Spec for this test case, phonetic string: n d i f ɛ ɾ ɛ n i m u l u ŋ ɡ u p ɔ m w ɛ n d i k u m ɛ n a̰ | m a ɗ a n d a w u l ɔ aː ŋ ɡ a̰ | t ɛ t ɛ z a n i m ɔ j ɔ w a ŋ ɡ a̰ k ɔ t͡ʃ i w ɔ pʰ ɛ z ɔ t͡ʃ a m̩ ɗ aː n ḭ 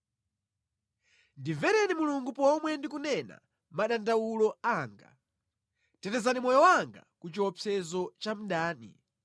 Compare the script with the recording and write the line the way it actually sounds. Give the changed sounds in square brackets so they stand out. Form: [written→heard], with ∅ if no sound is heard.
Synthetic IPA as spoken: n d i [f→v] ɛ ɾ ɛ n i m u l u ŋ ɡ u p ɔ m w ɛ n d i k u [m→n] ɛ n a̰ | m a ɗ a n d a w u l ɔ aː ŋ ɡ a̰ | t ɛ t ɛ z a n i m ɔ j ɔ w a ŋ ɡ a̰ k [ɔ→u] t͡ʃ i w ɔ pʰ ɛ z ɔ t͡ʃ a m̩ ɗ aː n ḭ